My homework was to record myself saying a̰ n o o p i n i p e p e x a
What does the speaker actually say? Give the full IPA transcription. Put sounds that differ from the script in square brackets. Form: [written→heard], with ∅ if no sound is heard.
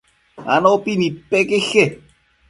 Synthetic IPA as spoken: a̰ n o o p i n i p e [p→k] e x [a→e]